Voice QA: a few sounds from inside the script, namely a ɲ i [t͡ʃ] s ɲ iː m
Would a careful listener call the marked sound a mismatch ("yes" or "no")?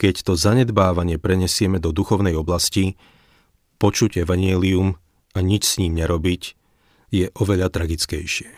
no